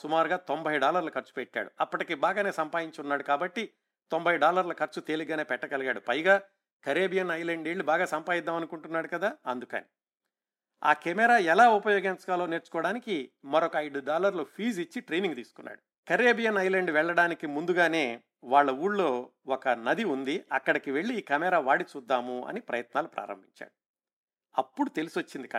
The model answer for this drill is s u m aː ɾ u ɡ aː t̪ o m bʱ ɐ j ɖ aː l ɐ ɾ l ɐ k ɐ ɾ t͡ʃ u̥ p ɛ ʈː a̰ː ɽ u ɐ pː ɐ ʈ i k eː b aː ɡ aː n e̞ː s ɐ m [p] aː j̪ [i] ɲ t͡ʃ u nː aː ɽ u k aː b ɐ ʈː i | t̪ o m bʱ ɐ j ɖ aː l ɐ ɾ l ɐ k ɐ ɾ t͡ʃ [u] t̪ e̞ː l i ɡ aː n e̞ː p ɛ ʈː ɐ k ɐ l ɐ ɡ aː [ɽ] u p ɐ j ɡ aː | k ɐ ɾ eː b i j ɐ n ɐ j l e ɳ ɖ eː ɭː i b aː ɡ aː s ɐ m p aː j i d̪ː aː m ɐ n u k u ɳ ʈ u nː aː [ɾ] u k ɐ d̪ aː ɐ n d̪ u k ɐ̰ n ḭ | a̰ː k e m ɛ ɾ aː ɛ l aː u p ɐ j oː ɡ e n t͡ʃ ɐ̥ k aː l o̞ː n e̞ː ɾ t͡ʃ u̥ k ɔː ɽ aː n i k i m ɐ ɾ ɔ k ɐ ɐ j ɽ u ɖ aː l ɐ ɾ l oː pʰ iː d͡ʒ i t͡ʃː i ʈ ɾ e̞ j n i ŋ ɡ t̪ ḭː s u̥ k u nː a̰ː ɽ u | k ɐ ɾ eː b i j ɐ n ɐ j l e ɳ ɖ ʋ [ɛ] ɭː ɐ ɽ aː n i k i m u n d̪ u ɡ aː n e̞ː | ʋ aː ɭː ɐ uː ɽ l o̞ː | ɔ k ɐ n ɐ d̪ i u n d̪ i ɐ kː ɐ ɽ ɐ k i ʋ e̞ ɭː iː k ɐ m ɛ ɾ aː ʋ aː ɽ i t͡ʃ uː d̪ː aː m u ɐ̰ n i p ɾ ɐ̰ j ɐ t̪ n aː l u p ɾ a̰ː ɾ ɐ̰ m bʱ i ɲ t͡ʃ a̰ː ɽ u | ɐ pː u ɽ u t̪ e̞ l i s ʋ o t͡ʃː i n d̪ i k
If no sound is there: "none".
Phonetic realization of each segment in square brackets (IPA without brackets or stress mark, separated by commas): p, i, u, ɽ, ɽ, ɛ